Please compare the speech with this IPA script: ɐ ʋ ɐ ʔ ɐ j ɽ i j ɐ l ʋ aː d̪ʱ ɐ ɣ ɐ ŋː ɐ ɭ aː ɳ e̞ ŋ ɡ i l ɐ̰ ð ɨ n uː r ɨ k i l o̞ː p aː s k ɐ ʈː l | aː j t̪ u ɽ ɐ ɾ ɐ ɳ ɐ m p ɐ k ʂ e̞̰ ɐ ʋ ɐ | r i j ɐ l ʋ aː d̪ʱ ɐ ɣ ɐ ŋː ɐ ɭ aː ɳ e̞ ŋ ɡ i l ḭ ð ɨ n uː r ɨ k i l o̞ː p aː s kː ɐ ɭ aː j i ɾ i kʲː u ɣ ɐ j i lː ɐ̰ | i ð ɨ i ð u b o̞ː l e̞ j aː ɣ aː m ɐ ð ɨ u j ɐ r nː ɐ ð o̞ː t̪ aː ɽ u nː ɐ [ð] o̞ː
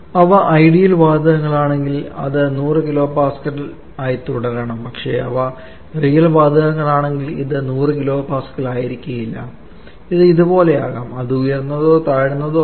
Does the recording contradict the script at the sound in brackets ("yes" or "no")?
no